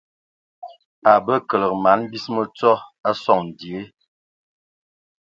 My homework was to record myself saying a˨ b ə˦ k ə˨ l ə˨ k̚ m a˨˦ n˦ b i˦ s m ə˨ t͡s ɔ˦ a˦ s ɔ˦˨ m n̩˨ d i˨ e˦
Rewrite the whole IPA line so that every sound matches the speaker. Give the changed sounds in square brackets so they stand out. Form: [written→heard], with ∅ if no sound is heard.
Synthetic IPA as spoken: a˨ b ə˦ k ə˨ l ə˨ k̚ m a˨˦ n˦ b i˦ s m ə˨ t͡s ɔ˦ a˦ s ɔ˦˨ [m→ŋ] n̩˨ d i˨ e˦